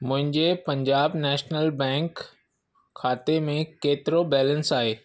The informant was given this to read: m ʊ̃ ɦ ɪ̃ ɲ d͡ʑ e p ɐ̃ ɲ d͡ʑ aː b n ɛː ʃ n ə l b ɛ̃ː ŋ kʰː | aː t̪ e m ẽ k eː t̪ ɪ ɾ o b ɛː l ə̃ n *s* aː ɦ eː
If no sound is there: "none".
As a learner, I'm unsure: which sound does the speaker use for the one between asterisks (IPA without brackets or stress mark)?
s